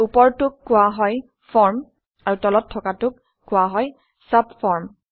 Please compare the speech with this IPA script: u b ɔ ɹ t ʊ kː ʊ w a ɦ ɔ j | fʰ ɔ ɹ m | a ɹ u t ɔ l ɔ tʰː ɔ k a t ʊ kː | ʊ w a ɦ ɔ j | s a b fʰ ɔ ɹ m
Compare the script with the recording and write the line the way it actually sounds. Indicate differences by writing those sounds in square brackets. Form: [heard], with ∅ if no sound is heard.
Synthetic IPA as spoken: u [p] ɔ ɹ t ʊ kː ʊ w a ɦ ɔ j | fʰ ɔ ɹ m | a ɹ u t ɔ l ɔ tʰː ɔ k a t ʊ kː | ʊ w a ɦ ɔ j | s a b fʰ ɔ ɹ m